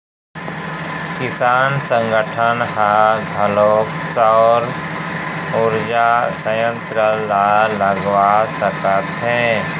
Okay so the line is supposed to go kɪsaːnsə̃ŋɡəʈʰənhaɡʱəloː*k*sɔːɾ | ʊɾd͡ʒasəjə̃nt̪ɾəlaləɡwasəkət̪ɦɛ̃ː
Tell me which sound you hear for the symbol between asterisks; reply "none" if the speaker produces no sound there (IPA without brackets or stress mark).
k